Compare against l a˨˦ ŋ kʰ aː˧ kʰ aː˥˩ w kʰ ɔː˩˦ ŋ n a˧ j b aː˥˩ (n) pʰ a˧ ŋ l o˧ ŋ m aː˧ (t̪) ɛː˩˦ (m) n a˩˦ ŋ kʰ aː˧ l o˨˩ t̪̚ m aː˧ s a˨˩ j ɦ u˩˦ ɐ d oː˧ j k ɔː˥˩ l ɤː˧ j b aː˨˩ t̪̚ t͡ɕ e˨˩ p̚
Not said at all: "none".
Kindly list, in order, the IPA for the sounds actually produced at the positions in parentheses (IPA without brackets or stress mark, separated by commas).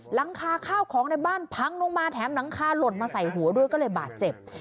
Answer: n, t̪ʰ, m